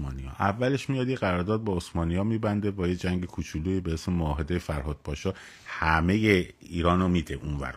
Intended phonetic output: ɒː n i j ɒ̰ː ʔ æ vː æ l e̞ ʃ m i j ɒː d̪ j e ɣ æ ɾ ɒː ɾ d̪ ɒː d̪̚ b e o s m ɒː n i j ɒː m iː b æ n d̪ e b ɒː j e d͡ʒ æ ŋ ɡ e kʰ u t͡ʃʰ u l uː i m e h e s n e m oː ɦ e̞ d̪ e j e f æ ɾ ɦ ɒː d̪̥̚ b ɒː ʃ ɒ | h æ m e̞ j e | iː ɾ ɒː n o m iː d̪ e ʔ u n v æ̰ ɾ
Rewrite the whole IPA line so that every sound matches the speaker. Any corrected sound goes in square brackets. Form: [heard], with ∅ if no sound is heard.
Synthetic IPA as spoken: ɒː n i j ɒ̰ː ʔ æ vː æ l e̞ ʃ m i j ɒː d̪ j e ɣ æ ɾ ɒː ɾ d̪ ɒː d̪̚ b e o s m ɒː n i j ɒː m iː b æ n d̪ e b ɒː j e d͡ʒ æ ŋ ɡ e kʰ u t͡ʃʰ u l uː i [b] e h e s [m] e m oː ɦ e̞ d̪ e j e f æ ɾ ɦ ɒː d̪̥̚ b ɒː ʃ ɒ | h æ m e̞ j e | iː ɾ ɒː n o m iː d̪ e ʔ u n v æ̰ ɾ